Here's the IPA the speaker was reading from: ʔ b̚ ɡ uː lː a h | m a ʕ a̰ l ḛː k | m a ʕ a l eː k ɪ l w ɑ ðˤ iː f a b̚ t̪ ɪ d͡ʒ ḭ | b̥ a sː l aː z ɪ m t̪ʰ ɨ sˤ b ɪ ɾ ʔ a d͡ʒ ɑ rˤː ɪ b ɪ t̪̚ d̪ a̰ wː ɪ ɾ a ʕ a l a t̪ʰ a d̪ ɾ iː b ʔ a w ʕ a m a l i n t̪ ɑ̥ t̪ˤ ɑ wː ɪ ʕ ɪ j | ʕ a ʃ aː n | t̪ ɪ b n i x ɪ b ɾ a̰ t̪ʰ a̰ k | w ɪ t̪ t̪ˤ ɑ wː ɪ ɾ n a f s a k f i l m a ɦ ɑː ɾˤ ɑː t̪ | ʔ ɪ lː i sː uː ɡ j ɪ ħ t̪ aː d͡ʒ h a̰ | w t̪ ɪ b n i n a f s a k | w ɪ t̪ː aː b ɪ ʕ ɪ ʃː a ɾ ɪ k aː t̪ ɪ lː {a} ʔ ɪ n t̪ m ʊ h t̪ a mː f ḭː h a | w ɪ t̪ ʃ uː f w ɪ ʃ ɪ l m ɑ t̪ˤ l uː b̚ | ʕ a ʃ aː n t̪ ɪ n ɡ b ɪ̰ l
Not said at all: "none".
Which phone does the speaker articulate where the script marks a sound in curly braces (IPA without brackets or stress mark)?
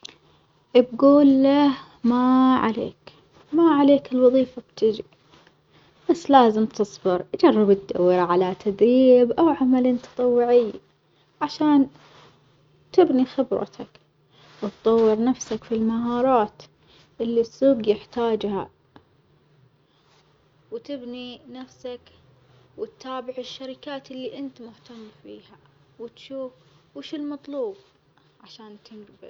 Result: i